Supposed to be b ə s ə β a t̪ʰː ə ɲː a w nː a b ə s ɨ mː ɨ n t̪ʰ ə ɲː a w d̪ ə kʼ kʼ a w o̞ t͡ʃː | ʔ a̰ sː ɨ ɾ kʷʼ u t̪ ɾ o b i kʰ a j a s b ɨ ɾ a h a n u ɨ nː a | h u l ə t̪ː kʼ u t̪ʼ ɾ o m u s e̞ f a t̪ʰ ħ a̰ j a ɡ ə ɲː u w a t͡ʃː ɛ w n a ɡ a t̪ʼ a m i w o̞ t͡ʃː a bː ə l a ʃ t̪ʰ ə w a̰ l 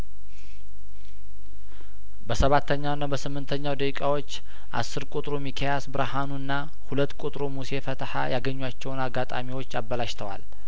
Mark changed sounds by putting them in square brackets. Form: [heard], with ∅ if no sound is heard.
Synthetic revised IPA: b ə s ə β a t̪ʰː ə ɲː a w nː a b ə s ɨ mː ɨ n t̪ʰ ə ɲː a w d̪ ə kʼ kʼ a w o̞ t͡ʃː | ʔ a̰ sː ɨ ɾ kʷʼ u [t̪ʼ] ɾ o [m] i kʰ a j a s b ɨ ɾ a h a n u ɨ nː a | h u l ə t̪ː kʼ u t̪ʼ ɾ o m u s e̞ f [ə] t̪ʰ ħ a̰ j a ɡ ə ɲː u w a t͡ʃː ɛ w n a ɡ a t̪ʼ a m i w o̞ t͡ʃː a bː ə l a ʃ t̪ʰ ə w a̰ l